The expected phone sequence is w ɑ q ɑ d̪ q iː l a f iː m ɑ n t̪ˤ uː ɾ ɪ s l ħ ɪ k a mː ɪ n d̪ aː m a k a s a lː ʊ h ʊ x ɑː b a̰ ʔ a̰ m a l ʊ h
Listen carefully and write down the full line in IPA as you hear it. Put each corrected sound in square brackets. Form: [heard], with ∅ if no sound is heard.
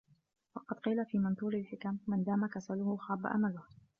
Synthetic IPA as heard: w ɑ q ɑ d̪ q iː l a f iː m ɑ n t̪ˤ uː ɾ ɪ [∅] l ħ ɪ k a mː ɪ n d̪ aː m a k a s a [l] ʊ h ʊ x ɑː b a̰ ʔ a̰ m a l ʊ h

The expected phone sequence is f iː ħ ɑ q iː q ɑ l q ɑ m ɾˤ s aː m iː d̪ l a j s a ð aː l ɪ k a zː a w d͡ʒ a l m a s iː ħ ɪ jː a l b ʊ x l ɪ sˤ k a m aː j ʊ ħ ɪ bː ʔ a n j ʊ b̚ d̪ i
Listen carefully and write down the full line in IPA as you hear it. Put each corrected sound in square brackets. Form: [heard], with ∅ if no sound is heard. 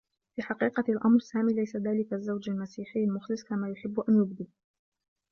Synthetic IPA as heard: f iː ħ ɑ q iː q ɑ l [ʔ] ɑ m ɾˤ s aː m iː [∅] l a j s a ð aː l ɪ k a zː a w d͡ʒ a l m a s iː ħ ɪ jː a l [m] ʊ x l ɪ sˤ k a m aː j ʊ ħ ɪ bː ʔ a n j ʊ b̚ d̪ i

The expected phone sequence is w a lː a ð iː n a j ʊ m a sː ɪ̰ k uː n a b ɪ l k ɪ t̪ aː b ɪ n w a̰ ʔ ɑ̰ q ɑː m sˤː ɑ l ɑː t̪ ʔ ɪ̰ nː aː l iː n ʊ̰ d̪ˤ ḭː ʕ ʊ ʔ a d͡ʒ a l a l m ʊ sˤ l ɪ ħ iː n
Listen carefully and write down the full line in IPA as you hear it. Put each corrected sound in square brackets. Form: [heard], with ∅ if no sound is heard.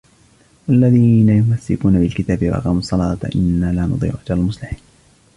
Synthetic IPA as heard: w a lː a ð iː n a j ʊ m a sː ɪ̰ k uː n a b ɪ l k ɪ t̪ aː b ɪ [∅] w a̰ ʔ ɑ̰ q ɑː m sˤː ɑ l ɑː t̪ ʔ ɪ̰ nː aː l [aː] n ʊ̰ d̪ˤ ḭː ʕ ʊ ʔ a d͡ʒ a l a l m ʊ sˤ l ɪ ħ iː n

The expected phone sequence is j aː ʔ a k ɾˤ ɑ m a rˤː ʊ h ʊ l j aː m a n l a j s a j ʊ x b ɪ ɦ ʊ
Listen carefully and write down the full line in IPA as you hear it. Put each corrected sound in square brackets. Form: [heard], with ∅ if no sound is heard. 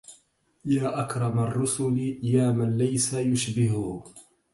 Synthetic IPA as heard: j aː ʔ a k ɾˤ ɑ m a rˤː ʊ [s] ʊ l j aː m a n l a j s a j ʊ [ʃ] b ɪ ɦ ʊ

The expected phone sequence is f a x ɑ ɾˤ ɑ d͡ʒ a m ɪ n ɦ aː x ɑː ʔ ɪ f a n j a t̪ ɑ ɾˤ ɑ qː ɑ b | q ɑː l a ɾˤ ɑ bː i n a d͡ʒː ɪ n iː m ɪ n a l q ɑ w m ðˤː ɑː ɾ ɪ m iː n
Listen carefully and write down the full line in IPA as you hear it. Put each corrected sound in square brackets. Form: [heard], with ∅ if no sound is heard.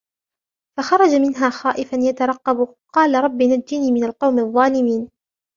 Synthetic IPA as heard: f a x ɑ ɾˤ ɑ d͡ʒ a m ɪ n ɦ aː x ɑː ʔ ɪ f a n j a t̪ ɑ ɾˤ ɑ qː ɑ b | q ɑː l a ɾˤ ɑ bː i n a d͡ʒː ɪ n iː m ɪ n a l q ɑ w m ðˤː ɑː [l] ɪ m iː n

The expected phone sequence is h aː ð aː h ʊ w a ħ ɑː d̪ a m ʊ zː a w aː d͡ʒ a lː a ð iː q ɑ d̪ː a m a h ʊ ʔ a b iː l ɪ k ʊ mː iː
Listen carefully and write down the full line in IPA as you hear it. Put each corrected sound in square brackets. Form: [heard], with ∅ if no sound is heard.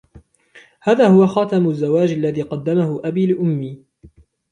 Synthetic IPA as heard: h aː ð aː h ʊ w a [x] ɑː [t̪] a m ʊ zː a w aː d͡ʒ a lː a ð iː q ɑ d̪ː a m a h ʊ ʔ a b iː l ɪ [ʔ] ʊ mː iː

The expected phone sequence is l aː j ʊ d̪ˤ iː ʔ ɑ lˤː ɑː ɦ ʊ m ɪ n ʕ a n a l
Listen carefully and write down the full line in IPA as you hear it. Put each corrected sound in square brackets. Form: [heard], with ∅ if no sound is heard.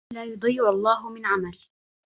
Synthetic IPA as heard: l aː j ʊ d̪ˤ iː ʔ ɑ lˤː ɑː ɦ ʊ m ɪ n ʕ a [m] a l

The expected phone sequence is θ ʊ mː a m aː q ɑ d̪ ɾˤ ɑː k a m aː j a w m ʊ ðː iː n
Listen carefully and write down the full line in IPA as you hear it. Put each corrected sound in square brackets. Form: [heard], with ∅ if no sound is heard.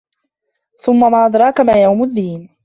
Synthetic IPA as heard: θ ʊ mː a m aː [ʔ] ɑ d̪ ɾˤ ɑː k a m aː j a w m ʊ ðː iː n

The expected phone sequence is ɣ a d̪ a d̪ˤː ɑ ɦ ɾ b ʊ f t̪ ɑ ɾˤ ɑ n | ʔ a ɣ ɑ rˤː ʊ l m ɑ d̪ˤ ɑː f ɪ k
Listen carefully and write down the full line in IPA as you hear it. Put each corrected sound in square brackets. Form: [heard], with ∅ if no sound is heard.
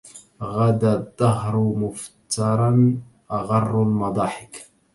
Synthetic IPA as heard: ɣ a d̪ a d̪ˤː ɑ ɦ ɾ [m] ʊ f t̪ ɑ ɾˤ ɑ n | ʔ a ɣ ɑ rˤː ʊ l m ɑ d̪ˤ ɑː [ħ] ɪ k

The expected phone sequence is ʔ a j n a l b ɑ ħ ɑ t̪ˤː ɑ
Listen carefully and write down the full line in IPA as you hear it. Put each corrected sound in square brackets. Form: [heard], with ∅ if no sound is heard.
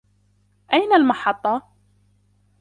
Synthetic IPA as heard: ʔ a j n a l [m] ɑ ħ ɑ t̪ˤː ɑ

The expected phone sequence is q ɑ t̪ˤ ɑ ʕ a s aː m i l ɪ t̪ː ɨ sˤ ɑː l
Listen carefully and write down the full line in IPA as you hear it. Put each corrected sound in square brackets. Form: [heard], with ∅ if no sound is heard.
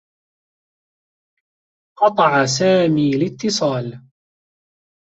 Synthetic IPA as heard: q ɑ t̪ˤ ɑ ʕ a s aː m [iː] l ɪ t̪ː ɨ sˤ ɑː l

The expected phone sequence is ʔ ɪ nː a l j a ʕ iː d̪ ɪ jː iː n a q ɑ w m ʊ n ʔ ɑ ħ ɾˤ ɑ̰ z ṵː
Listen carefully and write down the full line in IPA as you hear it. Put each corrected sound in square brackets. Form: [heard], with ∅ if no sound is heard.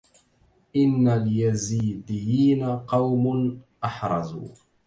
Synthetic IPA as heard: ʔ ɪ nː a l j a [z] iː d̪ ɪ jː iː n a q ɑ w m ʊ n ʔ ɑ ħ ɾˤ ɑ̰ z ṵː

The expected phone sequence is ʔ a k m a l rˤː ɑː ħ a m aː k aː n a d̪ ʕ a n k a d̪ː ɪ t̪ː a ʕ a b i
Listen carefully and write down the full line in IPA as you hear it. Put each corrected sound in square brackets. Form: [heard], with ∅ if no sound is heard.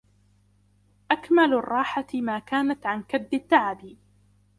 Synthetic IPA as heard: ʔ a k m a l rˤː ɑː ħ a m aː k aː n a [t̪] ʕ a n k a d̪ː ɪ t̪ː a ʕ a b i

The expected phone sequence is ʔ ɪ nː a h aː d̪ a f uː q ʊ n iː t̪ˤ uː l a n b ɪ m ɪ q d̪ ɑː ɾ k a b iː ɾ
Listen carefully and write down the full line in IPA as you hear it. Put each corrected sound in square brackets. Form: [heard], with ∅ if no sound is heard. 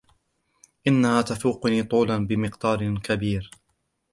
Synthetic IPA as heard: ʔ ɪ nː a h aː [t̪] a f uː q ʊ n iː t̪ˤ uː l a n b ɪ m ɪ q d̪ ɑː ɾ k a b iː ɾ

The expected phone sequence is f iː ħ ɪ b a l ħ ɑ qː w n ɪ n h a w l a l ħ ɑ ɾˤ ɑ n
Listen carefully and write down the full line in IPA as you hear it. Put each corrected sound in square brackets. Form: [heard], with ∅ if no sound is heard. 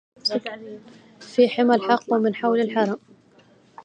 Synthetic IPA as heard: f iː ħ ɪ [m] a l ħ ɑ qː w [m] ɪ n [ħ] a w l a l ħ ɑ ɾˤ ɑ [m]

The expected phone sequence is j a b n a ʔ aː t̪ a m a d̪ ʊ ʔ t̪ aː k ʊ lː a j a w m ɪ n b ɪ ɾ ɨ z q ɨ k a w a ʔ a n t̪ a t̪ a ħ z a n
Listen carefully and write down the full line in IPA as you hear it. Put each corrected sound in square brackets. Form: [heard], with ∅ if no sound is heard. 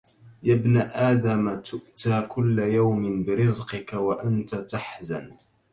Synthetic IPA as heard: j a b n a ʔ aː [d̪] a m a [t̪] ʊ ʔ t̪ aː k ʊ lː a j a w m ɪ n b ɪ ɾ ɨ z q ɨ k a w a ʔ a n t̪ a t̪ a ħ z a n

